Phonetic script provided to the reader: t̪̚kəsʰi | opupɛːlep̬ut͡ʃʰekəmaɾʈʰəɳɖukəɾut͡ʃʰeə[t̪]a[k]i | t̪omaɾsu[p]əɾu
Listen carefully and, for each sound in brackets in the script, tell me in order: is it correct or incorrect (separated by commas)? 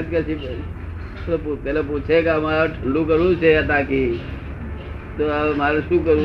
correct, correct, incorrect